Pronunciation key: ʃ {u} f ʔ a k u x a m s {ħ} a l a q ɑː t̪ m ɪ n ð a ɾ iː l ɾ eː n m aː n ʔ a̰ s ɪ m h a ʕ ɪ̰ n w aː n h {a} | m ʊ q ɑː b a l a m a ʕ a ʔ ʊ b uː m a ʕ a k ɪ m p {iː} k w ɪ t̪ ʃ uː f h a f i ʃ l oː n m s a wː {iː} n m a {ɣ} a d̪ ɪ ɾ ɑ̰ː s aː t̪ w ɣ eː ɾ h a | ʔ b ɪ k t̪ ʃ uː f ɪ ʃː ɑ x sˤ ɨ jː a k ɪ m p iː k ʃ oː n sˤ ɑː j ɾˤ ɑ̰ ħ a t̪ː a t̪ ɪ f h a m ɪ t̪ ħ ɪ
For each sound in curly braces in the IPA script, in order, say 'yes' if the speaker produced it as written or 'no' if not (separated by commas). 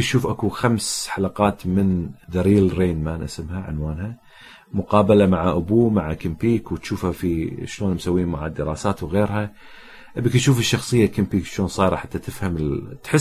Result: no, yes, yes, yes, yes, no